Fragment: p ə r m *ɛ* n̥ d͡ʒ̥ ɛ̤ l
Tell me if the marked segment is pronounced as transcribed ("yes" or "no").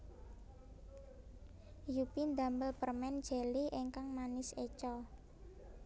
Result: yes